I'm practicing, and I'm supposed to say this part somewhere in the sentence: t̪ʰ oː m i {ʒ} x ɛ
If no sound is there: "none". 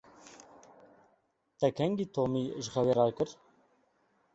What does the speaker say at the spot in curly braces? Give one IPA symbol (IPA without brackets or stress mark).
ʒ